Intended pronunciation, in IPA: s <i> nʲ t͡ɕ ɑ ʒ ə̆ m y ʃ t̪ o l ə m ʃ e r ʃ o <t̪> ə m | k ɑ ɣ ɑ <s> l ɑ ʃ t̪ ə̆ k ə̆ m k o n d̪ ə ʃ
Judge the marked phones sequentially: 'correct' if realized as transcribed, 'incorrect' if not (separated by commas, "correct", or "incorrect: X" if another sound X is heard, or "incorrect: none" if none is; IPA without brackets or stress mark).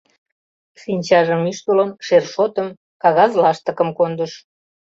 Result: correct, correct, incorrect: z